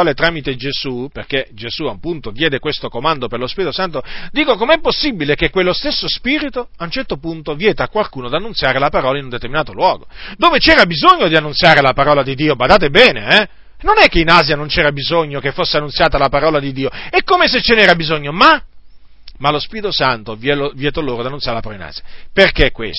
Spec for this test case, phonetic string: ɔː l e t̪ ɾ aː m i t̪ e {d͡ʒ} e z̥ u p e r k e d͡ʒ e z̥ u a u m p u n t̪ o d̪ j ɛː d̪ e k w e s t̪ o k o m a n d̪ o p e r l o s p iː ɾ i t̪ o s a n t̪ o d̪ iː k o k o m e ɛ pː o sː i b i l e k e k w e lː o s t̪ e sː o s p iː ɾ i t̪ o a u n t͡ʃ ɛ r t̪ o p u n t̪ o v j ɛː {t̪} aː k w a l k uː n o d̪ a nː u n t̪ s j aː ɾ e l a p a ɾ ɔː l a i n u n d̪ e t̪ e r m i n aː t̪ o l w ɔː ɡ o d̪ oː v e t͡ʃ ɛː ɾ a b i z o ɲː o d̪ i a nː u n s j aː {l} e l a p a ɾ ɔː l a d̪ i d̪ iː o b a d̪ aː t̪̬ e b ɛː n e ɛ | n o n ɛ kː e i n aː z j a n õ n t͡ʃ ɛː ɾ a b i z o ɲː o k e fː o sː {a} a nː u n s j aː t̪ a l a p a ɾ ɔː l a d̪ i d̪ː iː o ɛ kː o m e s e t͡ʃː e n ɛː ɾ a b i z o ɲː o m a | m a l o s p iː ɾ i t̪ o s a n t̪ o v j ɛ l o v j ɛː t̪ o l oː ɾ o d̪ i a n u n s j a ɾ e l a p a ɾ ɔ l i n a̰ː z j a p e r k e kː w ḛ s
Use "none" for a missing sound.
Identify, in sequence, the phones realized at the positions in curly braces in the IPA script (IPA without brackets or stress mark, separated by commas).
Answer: d͡ʒ, t̪, ɾ, e